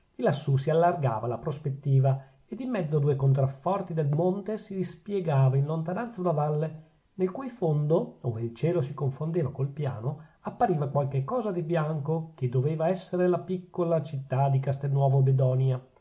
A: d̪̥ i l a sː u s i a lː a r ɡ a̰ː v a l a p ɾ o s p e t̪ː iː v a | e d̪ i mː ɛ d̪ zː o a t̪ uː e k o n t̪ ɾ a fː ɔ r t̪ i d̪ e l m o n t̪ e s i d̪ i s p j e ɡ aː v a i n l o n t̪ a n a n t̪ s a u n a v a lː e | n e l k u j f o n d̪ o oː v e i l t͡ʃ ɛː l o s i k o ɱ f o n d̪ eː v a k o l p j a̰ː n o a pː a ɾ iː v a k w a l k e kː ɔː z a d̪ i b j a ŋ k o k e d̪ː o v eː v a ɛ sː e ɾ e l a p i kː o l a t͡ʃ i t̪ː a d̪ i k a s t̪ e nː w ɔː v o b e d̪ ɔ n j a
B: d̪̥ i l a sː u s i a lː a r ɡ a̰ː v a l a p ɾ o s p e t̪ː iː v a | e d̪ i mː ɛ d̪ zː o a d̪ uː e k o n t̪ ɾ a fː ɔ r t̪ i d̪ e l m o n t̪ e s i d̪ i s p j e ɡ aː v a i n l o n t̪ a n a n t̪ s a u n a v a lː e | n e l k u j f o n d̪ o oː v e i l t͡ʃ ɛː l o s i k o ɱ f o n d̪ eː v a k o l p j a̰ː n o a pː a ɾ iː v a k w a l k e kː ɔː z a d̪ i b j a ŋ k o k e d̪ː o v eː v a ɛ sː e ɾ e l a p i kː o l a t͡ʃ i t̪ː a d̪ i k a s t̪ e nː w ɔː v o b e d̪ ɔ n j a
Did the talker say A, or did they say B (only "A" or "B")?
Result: B